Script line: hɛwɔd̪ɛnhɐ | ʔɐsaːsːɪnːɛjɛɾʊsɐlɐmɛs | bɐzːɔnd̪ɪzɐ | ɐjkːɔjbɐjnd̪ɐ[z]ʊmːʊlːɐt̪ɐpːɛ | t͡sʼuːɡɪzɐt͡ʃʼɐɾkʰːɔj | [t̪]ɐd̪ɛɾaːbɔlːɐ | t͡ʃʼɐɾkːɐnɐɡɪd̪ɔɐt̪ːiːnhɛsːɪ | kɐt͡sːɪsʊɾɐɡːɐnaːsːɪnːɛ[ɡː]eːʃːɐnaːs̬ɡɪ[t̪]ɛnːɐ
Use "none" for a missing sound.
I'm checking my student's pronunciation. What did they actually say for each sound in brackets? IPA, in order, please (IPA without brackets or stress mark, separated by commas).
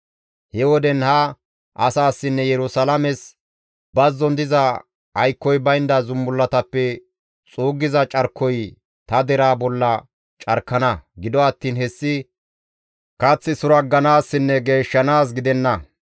z, t̪, ɡ, d̪